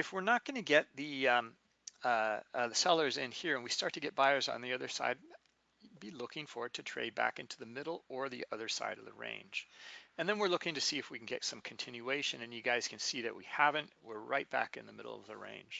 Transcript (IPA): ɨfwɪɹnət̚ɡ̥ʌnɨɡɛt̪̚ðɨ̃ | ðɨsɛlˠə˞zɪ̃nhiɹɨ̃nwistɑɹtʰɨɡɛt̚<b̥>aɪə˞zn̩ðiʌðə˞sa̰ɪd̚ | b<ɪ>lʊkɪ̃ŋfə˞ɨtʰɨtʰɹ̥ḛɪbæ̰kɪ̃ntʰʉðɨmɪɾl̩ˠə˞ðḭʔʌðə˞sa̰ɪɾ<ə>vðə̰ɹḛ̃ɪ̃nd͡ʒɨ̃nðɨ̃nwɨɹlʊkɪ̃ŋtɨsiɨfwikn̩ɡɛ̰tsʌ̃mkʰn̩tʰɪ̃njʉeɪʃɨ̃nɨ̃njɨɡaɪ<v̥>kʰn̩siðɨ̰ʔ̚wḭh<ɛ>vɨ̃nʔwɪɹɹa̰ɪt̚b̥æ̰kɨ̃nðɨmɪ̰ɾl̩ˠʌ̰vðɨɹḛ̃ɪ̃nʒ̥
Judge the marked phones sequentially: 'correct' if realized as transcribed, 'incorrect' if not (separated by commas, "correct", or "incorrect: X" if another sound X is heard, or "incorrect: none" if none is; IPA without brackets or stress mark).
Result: correct, incorrect: i, incorrect: ʌ, incorrect: z̥, incorrect: æ